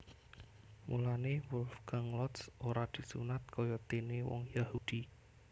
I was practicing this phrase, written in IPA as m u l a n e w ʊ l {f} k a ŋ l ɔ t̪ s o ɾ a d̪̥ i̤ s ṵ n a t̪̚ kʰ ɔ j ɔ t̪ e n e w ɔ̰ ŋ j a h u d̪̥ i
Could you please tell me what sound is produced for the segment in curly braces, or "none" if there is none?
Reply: f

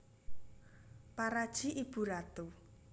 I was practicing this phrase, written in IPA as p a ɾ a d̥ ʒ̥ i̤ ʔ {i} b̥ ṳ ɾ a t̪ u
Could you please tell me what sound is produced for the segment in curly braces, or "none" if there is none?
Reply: i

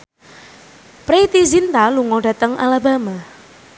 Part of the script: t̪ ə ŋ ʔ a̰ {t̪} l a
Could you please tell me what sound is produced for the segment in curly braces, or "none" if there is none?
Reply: none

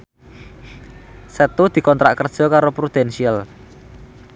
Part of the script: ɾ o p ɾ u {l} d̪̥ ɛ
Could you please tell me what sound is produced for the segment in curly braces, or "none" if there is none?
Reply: none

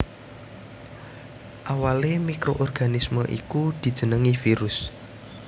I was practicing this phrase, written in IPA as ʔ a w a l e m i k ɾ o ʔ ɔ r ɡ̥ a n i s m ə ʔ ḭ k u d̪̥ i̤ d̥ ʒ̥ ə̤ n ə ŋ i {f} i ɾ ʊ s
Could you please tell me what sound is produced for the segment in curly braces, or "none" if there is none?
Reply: f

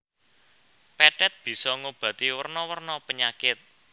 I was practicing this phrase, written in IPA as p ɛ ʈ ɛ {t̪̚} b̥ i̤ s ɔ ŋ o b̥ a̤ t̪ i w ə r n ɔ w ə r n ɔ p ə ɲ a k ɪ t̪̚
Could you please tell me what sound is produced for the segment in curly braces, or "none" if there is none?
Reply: t̪̚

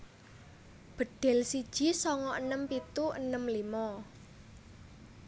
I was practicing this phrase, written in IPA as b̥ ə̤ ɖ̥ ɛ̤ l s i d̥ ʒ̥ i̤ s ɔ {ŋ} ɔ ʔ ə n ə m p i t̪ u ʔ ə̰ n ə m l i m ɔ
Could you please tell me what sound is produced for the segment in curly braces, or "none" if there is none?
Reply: ŋ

